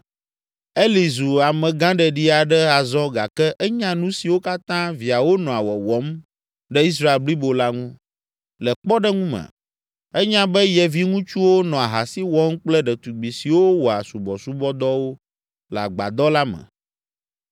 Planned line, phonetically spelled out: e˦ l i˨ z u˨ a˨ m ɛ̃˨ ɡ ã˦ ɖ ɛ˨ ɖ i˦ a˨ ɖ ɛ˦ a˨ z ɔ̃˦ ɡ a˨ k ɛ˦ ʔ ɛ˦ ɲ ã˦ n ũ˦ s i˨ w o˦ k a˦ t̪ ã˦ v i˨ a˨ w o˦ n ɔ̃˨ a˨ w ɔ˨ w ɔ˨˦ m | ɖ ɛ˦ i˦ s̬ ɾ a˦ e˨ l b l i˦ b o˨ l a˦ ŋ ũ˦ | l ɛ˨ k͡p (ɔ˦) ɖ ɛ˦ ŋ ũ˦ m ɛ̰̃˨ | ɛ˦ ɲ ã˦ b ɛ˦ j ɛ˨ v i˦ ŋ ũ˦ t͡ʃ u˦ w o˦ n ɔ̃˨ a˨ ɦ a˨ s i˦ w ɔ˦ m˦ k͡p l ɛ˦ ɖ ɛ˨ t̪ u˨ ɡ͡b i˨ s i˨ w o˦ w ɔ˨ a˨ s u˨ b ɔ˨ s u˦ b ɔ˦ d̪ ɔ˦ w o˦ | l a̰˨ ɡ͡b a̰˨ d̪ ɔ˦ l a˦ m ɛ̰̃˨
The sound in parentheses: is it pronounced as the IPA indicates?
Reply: yes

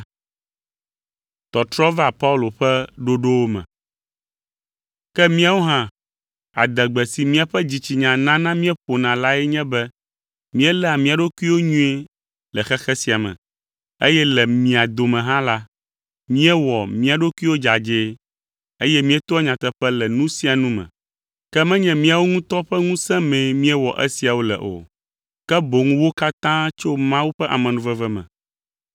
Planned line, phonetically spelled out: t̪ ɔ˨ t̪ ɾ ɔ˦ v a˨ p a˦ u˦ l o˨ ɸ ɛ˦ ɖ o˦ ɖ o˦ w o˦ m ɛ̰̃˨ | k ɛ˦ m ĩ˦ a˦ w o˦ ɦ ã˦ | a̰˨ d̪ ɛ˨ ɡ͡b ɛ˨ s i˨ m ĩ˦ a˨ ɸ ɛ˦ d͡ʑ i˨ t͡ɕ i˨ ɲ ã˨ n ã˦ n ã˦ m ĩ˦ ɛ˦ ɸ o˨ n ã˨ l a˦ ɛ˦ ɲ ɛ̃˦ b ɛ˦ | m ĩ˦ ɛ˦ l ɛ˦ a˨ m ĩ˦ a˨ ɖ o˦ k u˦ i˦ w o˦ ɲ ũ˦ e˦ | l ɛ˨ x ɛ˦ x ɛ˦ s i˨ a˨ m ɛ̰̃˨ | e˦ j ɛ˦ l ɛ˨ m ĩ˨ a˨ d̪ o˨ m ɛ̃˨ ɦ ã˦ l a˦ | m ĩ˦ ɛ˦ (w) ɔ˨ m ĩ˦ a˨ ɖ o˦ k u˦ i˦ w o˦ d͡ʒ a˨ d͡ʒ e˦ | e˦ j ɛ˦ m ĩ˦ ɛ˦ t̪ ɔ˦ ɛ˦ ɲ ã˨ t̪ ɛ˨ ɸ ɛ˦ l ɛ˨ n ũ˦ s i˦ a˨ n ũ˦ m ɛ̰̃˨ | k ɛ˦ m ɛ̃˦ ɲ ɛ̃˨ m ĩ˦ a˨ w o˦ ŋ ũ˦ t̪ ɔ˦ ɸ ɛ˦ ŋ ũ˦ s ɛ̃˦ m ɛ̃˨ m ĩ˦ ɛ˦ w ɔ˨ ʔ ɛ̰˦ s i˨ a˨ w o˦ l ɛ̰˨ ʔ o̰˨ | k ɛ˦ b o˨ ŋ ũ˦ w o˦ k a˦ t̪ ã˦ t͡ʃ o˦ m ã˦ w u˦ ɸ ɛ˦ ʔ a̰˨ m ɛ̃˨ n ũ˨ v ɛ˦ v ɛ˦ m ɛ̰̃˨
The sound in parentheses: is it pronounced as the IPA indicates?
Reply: yes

